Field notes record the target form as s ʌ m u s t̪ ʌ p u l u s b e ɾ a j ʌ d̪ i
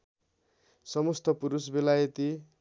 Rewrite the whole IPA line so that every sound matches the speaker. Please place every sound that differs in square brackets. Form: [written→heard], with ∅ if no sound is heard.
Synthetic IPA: s ʌ m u s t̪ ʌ p u [l→ɾ] u s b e [ɾ→l] a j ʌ [d̪→t̪] i